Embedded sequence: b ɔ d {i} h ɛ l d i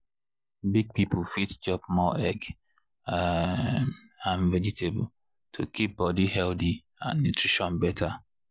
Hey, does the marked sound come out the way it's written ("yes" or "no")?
yes